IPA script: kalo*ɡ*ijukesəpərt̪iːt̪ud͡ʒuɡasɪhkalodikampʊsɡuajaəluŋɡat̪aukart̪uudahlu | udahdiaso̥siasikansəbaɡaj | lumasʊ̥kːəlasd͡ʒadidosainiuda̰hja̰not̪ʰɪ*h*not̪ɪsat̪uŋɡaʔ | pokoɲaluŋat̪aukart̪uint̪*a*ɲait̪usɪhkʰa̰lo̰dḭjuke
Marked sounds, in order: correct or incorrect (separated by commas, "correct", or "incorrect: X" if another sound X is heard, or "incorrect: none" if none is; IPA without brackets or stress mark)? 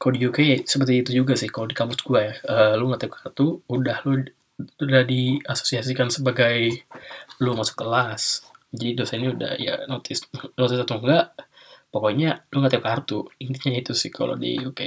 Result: incorrect: d, incorrect: s, incorrect: i